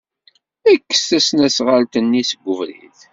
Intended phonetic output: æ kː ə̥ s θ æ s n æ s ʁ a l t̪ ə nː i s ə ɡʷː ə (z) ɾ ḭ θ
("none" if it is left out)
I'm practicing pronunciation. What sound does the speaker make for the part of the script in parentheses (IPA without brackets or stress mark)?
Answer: v